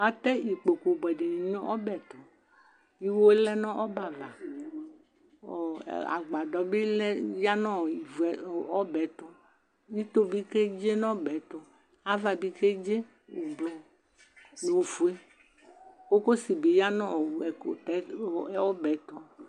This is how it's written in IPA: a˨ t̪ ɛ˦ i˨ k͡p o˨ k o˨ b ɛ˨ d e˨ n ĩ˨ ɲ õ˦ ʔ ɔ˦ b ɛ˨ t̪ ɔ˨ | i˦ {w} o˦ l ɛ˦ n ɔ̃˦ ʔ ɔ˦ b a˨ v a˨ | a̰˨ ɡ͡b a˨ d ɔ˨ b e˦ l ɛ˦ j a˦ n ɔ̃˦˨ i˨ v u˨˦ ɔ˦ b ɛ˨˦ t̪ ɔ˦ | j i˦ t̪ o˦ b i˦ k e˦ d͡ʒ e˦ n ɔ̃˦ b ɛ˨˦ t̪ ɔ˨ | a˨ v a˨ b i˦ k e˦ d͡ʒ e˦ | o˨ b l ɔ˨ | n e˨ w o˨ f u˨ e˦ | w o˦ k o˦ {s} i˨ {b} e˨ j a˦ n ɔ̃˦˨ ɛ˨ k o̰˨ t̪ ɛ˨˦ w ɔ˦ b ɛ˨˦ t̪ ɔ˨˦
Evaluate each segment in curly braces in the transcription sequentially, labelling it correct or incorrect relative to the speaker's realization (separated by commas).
correct, correct, correct